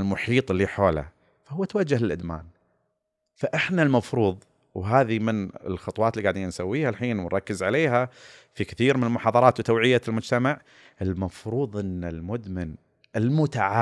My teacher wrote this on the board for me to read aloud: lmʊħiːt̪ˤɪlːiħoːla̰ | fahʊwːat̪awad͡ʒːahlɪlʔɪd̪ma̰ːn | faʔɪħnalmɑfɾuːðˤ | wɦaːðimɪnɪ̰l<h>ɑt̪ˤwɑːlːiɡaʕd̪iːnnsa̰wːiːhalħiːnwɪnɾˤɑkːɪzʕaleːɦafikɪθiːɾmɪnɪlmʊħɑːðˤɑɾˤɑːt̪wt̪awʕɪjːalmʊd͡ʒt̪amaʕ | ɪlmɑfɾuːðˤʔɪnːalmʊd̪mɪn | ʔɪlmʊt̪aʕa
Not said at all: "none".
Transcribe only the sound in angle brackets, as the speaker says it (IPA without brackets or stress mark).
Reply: x